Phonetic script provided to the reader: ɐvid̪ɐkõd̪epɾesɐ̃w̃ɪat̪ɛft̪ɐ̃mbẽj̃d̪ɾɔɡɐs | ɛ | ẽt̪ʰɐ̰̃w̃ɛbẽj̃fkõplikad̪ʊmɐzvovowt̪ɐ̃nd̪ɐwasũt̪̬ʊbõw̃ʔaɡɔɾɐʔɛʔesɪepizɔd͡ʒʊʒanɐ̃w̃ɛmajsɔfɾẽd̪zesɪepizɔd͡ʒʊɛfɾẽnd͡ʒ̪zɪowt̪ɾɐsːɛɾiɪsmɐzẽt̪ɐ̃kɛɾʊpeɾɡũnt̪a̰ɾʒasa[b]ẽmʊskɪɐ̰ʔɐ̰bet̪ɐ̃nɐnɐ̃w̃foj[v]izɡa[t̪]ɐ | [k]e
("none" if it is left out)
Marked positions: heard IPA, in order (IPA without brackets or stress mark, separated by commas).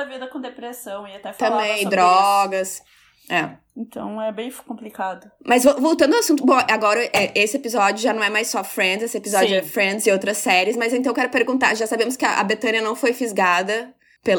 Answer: b, f, d̪, p